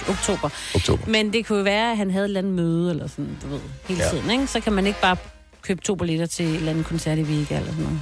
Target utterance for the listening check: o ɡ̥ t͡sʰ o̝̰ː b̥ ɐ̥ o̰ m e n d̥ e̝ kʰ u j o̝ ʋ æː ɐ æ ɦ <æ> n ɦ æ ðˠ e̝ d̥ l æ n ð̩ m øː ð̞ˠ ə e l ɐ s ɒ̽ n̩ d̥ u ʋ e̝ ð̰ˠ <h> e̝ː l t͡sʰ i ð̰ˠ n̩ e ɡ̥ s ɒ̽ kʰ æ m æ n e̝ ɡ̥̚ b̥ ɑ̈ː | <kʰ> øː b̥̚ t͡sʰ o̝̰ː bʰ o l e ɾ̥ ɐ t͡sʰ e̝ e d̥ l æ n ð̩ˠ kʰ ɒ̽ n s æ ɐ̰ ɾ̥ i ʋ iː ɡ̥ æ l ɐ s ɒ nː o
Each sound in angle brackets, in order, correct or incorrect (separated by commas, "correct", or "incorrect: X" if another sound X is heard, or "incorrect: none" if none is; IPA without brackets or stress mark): correct, correct, correct